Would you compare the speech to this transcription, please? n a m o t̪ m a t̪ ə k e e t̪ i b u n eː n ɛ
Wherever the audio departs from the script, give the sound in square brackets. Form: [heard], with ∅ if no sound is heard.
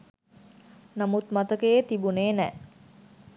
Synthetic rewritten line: n a m [u] t̪ m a t̪ ə k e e t̪ i b u n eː n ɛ